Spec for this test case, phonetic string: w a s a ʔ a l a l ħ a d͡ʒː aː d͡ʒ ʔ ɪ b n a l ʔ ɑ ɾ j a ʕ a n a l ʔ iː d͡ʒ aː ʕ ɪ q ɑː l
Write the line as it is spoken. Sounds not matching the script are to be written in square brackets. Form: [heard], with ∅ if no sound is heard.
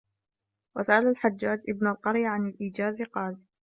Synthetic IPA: w a s a ʔ a l a l ħ a d͡ʒː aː d͡ʒ ʔ ɪ b n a l [q] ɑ ɾ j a ʕ a n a l ʔ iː d͡ʒ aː [z] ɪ q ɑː l